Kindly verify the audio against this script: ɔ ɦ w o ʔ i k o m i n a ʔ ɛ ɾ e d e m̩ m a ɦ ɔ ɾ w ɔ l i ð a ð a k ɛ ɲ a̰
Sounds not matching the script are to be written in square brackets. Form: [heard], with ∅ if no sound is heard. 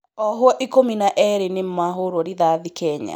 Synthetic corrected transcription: ɔ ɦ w [ɔ] ʔ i k o m i n a ʔ ɛ ɾ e [n] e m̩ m a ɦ [o] ɾ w ɔ [ɾ] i ð a ð [i] k ɛ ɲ a̰